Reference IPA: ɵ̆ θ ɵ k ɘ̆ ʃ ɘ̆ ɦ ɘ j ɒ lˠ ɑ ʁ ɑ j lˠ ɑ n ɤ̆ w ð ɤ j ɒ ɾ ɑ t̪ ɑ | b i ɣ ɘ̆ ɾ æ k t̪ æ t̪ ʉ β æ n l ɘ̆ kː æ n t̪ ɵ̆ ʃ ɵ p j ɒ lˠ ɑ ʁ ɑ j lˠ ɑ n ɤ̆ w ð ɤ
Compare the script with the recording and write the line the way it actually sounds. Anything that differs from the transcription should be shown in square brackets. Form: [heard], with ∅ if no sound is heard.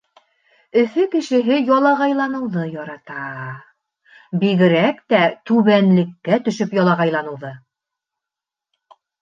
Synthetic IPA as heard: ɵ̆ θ ɵ k ɘ̆ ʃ ɘ̆ ɦ ɘ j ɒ lˠ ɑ ʁ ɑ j lˠ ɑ n ɤ̆ w ð ɤ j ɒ ɾ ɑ t̪ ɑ | b i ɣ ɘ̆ ɾ æ k t̪ æ t̪ ʉ β æ n l ɘ̆ kː æ [∅] t̪ ɵ̆ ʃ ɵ p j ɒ lˠ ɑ ʁ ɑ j lˠ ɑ n ɤ̆ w ð ɤ